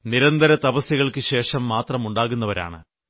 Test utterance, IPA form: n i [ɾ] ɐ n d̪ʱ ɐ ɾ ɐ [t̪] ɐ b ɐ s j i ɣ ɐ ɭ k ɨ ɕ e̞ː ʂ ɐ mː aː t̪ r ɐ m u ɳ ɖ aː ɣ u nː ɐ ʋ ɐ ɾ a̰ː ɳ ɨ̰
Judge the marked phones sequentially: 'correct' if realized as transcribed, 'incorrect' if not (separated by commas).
correct, correct